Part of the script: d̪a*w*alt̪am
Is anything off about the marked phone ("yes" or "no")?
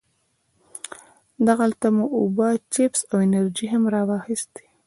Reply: yes